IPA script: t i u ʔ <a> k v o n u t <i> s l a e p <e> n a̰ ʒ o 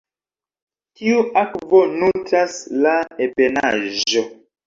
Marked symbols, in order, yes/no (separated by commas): yes, no, yes